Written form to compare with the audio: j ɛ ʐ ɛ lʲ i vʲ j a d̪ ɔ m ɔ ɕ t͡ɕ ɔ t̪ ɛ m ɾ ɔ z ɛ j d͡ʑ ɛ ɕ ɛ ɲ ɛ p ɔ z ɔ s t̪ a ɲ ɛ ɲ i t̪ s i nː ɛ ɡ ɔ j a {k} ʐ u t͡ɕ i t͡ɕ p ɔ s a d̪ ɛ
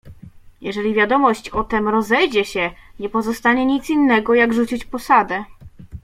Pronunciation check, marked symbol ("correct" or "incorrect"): incorrect